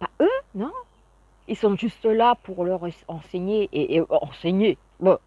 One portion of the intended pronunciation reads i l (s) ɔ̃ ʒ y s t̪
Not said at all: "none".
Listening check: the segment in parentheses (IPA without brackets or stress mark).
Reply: s